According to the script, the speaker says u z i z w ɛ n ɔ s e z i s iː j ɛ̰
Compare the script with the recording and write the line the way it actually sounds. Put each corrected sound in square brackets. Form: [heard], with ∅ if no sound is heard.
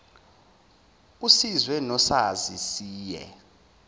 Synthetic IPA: u [s] i z w ɛ n ɔ s [a] z i s iː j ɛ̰